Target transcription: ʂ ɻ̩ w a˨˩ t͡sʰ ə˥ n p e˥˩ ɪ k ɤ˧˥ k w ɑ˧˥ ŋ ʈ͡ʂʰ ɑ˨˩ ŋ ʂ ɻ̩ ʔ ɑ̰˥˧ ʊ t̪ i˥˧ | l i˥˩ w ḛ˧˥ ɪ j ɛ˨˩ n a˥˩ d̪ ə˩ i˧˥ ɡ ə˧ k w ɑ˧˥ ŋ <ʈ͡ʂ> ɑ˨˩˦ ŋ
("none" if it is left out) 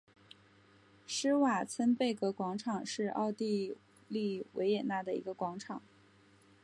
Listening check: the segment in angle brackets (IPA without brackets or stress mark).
ʈ͡ʂʰ